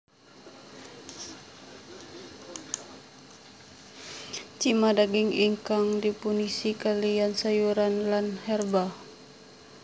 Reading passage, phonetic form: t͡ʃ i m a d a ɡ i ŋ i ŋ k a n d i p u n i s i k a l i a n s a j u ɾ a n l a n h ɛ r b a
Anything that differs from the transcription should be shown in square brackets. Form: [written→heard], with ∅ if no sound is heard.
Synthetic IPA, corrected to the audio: t͡ʃ i m a d a ɡ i ŋ i ŋ k a [n→ŋ] d i p u n i s i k a l i a n s a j u ɾ a n l a n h ɛ r b a

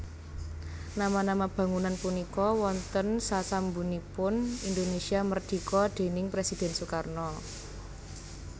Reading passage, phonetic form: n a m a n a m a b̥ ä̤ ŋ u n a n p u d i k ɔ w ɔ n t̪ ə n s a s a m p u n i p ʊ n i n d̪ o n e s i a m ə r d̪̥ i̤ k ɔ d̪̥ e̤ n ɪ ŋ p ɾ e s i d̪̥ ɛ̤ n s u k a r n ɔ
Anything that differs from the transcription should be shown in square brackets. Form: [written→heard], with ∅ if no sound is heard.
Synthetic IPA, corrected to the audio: n a m a n a m a b̥ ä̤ ŋ u n a n p u [d→n] i k ɔ w ɔ n t̪ ə n s a s a m [p→b] u n i p ʊ n i n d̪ o n e s i a m ə r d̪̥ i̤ k ɔ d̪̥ e̤ n ɪ ŋ p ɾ e s i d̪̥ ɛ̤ n s u k a r n ɔ

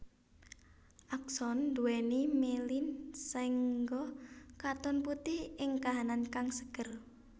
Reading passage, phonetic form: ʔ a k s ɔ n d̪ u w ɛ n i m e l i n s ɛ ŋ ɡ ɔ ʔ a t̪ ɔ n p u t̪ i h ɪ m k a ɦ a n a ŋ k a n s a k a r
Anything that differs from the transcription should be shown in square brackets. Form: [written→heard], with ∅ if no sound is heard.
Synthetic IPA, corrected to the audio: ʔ a k s ɔ n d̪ u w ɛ n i m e l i n s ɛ ŋ ɡ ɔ [ʔ→k] a t̪ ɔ n p u t̪ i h ɪ [m→ŋ] k a ɦ a n a [ŋ→n] k a [n→ŋ] s [a→ə] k [a→ə] r

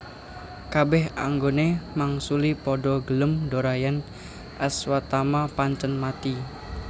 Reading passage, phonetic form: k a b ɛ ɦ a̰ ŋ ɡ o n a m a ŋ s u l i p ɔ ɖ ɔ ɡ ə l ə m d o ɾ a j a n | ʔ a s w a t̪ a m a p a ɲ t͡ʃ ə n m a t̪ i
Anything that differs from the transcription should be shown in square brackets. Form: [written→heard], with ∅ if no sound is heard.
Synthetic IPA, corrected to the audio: k a b ɛ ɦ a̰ ŋ ɡ o n [a→e] m a ŋ s u l i p ɔ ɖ ɔ ɡ ə l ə m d o ɾ a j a n | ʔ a s w a t̪ a m a p a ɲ t͡ʃ ə n m a t̪ i

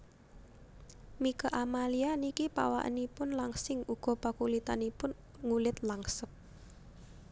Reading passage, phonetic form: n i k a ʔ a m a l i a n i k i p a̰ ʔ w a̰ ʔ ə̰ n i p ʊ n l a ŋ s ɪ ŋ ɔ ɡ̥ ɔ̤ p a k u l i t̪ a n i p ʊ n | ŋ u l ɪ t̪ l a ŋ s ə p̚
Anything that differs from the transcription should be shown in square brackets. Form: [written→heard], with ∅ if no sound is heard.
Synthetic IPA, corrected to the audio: [n→m] i k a ʔ a m a l i a n i k i p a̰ [ʔ→∅] w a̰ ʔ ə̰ n i p ʊ n l a ŋ s ɪ ŋ [ɔ→u] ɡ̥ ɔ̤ p a k u l i t̪ a n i p ʊ n | ŋ u l ɪ t̪ l a ŋ s ə p̚

